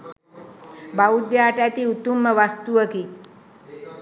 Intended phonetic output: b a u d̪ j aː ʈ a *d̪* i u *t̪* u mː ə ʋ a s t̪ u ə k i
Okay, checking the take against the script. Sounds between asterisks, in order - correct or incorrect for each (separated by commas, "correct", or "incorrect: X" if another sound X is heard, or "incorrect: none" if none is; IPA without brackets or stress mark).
incorrect: t̪, correct